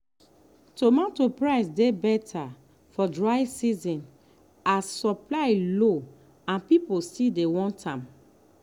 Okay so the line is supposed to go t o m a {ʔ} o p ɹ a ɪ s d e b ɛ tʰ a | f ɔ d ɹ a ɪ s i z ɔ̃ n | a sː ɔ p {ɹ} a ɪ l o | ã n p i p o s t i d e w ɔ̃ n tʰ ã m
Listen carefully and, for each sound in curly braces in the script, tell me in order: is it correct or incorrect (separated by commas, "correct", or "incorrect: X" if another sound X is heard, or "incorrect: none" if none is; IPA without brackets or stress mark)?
incorrect: t, incorrect: l